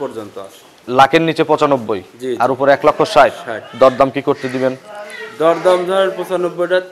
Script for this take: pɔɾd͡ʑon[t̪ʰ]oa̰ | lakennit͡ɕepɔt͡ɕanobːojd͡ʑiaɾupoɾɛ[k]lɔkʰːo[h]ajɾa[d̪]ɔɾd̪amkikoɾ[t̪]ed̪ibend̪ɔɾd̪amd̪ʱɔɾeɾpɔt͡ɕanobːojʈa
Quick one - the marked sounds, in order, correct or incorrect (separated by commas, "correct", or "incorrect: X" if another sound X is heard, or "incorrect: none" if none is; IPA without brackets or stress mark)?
incorrect: t̪, correct, incorrect: ʃ, correct, correct